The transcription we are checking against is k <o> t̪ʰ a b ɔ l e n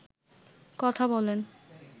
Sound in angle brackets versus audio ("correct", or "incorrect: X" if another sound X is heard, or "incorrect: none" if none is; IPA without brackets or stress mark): incorrect: ɔ